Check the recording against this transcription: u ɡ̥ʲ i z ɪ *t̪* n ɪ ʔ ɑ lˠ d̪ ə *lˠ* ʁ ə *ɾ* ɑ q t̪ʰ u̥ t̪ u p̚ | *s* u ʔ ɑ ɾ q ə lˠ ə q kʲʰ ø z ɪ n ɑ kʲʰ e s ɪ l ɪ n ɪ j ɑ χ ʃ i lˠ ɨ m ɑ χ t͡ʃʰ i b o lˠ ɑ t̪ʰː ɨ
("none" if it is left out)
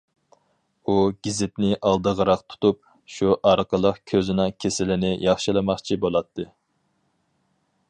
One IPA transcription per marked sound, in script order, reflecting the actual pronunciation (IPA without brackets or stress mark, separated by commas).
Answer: t̪, none, ɾ, ʃ